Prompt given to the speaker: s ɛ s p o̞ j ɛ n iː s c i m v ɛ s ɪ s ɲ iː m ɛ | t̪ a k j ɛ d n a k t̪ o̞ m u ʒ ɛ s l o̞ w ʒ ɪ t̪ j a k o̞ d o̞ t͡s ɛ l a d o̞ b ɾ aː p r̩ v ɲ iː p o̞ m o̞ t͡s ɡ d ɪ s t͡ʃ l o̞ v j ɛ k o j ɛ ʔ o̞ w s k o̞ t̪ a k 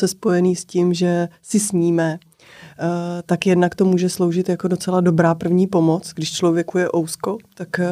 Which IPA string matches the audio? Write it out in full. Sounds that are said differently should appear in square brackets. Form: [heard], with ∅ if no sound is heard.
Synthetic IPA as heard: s ɛ s p o̞ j ɛ n iː s c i m [ʒ] ɛ s ɪ s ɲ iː m ɛ | t̪ a k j ɛ d n a k t̪ o̞ m [uː] ʒ ɛ s l o̞ w ʒ ɪ t̪ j a k o̞ d o̞ t͡s ɛ l a d o̞ b ɾ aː p r̩ v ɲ iː p o̞ m o̞ t͡s ɡ d ɪ [ʃ] t͡ʃ l o̞ v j ɛ k [u] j ɛ ʔ o̞ w s k o̞ t̪ a k